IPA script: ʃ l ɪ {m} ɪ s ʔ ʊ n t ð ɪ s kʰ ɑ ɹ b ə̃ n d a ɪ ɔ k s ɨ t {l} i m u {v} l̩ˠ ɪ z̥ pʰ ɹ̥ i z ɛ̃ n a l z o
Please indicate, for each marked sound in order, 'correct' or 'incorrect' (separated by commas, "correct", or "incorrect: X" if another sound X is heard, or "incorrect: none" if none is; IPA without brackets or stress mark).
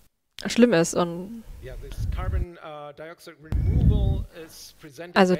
correct, incorrect: ɹ, correct